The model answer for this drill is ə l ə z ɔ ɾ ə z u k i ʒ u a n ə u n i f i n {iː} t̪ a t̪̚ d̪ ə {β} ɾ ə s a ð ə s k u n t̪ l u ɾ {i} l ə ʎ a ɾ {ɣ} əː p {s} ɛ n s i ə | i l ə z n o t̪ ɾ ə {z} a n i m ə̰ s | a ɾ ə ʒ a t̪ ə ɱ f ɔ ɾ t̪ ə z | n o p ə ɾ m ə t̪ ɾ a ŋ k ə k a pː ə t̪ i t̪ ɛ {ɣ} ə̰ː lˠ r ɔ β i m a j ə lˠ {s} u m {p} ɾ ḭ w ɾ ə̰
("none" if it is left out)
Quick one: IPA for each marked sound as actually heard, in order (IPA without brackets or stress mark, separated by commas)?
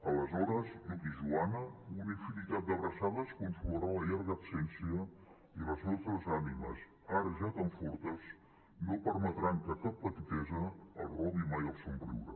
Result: i, β, a, ɣ, s, z, z, s, b